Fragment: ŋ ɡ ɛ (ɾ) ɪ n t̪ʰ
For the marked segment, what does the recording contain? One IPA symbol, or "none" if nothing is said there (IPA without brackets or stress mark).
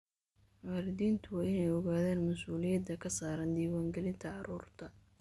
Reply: l